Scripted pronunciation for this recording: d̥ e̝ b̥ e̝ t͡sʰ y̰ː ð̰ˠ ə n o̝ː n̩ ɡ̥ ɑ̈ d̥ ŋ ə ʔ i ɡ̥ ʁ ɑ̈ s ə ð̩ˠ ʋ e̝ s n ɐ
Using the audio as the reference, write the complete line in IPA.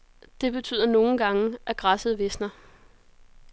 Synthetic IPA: d̥ e̝ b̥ e̝ t͡sʰ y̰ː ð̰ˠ ɐ n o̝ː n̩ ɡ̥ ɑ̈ ŋ ə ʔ æ ɡ̥ ʁ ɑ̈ s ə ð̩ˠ ʋ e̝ s n ɐ

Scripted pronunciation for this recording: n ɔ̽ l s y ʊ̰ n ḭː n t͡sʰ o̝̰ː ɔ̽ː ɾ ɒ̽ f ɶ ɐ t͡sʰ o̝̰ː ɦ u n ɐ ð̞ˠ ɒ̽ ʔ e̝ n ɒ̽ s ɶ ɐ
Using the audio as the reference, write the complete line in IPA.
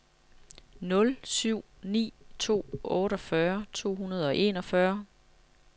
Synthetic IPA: n ɔ̽ l s y ʊ̰ n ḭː t͡sʰ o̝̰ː ɔ̽ː ɾ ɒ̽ f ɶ ɐ t͡sʰ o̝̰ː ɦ u n ɐ ð̞ˠ ɒ̽ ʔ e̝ n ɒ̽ f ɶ ɐ

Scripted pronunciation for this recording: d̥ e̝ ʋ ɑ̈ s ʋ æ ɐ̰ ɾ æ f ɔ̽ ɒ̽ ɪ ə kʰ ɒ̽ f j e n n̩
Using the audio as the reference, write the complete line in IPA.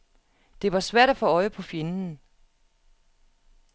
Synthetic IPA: d̥ e̝ ʋ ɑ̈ s ʋ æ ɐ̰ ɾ æ f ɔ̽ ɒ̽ ɪ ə pʰ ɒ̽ f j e n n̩

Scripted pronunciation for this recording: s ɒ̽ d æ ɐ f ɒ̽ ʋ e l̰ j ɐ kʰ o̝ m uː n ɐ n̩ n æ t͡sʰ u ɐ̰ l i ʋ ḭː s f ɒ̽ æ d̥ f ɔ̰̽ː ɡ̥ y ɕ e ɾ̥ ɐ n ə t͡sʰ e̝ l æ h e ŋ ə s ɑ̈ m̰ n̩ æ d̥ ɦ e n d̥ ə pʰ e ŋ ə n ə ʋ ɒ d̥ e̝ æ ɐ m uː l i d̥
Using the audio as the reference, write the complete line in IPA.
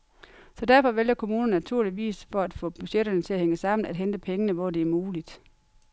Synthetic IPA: s ɒ̽ d æ ɐ f ɒ̽ ʋ e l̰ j ɐ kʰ o̝ m uː n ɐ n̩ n æ t͡sʰ u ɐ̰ l i ʋ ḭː s f ɒ̽ æ d̥ f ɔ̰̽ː b̥ y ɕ e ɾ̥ ɐ n ə t͡sʰ e̝ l æ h e ŋ ə s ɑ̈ m̰ n̩ æ d̥ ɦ e n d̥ ə pʰ e ŋ ə n ə ʋ ɒ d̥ e̝ æ ɐ m uː l i d̥

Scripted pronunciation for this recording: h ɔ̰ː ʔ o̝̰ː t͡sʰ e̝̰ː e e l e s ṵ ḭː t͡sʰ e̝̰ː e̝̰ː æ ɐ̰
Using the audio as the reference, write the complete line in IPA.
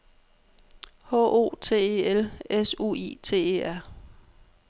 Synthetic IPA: h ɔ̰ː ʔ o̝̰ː t͡sʰ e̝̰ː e e l e s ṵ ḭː t͡sʰ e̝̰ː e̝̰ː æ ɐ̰

